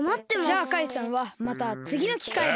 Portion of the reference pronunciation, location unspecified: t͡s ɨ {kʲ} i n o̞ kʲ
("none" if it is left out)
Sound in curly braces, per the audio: ɡʲ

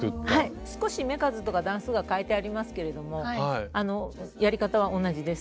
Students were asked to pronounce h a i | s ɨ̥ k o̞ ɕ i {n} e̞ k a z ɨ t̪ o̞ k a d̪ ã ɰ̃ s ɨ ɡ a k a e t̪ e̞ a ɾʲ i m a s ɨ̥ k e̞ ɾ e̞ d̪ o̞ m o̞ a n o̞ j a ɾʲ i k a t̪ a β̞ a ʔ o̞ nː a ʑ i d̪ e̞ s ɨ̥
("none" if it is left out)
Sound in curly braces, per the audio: m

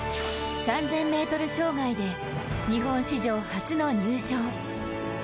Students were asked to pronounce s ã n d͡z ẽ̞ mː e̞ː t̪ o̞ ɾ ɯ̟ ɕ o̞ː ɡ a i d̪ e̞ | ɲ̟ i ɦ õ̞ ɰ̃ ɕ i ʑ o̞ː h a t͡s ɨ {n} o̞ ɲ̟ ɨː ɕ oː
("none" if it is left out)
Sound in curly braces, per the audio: n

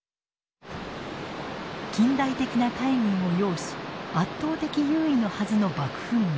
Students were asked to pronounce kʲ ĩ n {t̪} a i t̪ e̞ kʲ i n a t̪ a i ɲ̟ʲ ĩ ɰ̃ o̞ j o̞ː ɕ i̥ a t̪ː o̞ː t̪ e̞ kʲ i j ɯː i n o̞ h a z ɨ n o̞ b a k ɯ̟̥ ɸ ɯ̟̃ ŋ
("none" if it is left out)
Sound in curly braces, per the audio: d̪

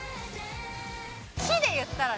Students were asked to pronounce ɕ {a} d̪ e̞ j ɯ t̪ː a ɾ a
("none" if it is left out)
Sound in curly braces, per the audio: i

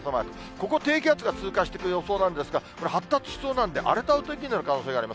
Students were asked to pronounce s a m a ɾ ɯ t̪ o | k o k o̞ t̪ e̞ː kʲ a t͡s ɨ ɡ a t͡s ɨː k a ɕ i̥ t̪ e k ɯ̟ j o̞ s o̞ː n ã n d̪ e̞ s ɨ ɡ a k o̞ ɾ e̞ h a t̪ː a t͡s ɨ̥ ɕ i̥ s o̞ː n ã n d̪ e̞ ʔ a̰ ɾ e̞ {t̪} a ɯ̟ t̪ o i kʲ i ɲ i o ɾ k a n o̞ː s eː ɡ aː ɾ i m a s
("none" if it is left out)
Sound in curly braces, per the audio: t̪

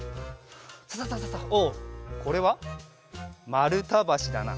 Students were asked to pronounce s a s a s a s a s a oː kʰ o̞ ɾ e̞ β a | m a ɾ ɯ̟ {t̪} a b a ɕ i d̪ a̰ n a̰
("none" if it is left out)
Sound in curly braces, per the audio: t̪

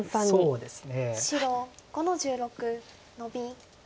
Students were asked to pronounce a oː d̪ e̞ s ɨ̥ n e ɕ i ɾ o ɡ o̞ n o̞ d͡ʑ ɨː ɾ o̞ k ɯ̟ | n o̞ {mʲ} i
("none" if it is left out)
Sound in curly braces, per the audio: bʲ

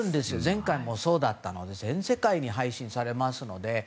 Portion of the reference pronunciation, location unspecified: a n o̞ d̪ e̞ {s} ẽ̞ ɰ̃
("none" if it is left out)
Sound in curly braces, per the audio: z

